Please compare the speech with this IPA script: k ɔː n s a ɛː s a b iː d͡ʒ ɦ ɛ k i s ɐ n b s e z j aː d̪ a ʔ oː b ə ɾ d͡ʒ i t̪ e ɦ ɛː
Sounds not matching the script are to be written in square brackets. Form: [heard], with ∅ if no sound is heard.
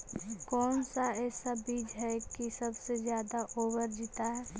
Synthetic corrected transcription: k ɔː n s a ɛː s a b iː d͡ʒ ɦ ɛ k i s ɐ [∅] b s e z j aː d̪ a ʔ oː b ə ɾ d͡ʒ i t̪ [a] ɦ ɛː